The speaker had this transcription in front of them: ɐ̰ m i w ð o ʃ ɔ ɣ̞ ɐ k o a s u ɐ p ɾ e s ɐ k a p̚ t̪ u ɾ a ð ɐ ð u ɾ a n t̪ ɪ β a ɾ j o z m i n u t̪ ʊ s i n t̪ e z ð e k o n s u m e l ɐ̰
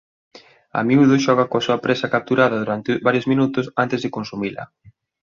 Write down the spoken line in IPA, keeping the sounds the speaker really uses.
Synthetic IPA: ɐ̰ m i u ð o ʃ ɔ ɣ̞ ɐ k o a s u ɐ p ɾ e s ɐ k a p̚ t̪ u ɾ a ð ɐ ð u ɾ a n t̪ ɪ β a ɾ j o z m i n u t̪ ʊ s a n t̪ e z ð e k o n s u m i l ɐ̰